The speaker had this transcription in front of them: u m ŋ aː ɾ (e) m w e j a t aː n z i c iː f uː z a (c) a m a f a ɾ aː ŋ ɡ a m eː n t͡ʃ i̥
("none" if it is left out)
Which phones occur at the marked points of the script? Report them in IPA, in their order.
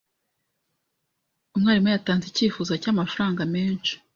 i, c

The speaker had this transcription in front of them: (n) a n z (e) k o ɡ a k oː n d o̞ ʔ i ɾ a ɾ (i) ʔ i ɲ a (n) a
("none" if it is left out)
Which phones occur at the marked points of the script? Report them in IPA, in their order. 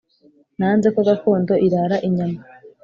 n, e, a, m

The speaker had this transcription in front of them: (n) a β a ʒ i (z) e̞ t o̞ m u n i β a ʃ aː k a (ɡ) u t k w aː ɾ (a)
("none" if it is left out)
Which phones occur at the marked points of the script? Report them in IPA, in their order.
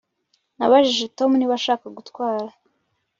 n, ʒ, ɡ, a

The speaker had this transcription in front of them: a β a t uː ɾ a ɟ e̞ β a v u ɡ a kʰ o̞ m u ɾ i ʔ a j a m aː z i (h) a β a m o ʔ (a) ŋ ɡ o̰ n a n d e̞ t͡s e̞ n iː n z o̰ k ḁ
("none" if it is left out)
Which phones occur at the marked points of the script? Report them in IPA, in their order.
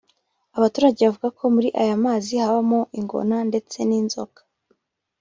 h, i

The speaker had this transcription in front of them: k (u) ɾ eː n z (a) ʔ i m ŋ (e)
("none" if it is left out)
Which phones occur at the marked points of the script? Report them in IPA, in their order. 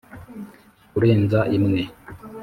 u, a, e

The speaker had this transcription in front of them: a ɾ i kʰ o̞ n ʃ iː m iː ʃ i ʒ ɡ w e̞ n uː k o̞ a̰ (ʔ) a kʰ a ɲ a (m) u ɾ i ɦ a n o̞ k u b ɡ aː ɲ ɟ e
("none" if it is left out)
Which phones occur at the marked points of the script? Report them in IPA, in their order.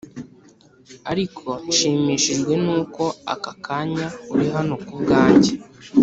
k, none

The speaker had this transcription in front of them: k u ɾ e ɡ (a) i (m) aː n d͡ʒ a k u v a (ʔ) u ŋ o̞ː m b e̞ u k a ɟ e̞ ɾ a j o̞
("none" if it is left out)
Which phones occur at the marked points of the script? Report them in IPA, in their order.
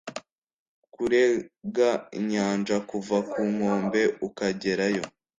a, ɲ, k

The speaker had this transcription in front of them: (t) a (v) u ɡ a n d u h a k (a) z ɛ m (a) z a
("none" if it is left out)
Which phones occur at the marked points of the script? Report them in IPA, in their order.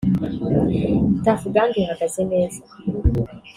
t, f, a, ɛ

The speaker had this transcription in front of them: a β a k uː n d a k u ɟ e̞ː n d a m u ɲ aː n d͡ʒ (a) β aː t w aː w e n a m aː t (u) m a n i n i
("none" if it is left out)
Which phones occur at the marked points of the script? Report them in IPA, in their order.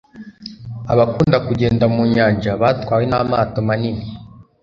a, o

